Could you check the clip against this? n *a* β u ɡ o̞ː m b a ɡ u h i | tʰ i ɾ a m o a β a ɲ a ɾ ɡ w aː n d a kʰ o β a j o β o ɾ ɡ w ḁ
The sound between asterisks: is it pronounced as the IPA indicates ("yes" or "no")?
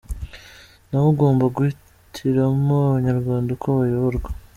yes